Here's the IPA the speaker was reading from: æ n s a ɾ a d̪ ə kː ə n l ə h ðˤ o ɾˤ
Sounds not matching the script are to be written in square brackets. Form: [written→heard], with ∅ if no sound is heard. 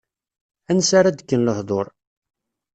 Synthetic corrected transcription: æ n s a ɾ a d̪ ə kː ə n l ə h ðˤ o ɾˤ